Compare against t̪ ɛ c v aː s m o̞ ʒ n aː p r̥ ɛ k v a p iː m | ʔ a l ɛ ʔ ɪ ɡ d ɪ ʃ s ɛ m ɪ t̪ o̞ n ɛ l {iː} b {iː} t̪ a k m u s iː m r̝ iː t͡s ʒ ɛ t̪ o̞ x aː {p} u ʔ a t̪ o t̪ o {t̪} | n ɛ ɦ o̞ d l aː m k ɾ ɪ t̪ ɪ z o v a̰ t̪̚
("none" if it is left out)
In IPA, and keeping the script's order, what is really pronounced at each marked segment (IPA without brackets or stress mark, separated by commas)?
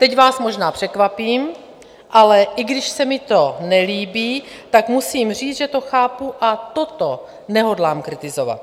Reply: iː, iː, p, none